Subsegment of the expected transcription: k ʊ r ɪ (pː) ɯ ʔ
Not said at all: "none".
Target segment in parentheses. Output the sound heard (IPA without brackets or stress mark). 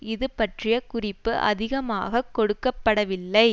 pː